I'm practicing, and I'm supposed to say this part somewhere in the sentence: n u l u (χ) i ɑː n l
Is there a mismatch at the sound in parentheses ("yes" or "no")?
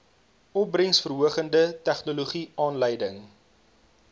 no